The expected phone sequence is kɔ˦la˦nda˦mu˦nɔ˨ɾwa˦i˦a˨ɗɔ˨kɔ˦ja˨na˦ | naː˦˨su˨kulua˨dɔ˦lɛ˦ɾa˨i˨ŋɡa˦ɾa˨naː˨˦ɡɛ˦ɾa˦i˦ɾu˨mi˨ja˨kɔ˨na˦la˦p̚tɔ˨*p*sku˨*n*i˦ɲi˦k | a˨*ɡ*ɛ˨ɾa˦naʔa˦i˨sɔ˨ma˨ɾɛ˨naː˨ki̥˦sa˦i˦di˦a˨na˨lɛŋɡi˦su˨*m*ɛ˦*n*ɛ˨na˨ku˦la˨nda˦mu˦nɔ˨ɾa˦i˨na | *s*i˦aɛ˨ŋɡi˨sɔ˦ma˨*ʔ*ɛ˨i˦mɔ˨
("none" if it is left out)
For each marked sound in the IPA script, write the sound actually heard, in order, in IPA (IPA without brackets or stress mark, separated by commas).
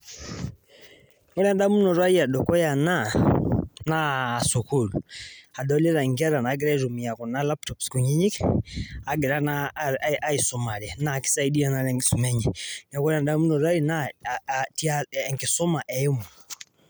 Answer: p, ɲ, ɡ, m, ɲ, t, ʔ